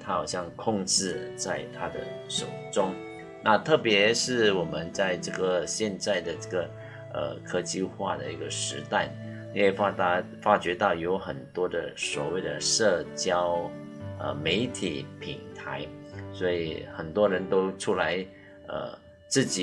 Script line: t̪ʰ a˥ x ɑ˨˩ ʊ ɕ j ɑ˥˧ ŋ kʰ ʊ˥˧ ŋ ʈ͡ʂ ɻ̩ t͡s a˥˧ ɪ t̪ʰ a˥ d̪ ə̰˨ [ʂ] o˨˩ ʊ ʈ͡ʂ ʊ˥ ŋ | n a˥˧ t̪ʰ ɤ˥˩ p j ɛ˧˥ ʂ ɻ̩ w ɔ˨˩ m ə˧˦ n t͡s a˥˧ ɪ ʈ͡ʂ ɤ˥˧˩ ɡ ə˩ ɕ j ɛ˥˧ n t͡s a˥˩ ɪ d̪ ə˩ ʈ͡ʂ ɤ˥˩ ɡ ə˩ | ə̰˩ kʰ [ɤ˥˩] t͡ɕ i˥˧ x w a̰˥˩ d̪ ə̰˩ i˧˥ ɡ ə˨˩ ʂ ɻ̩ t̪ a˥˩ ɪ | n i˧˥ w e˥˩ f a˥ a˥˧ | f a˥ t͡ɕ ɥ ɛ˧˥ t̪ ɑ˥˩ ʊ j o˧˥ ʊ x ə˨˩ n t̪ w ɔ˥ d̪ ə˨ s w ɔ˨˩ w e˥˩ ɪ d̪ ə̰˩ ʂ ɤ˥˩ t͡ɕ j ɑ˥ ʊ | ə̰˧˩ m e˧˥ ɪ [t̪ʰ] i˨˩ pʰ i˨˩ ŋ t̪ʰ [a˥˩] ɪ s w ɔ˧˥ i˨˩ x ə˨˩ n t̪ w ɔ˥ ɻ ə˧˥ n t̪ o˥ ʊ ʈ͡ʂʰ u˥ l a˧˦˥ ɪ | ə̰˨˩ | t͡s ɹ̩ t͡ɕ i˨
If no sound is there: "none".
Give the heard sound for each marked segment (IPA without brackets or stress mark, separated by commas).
ʂ, ɤ˥, t̪ʰ, a˧˥